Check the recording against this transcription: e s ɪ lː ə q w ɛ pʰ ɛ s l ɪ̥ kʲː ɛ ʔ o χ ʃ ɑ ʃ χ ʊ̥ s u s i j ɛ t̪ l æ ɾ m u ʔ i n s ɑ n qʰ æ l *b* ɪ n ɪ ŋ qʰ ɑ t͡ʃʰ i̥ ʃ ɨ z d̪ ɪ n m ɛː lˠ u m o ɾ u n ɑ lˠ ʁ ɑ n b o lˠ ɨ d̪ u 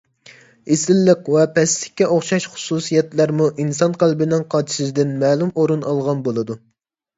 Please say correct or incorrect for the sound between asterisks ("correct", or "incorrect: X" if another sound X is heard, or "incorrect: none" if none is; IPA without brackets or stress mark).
correct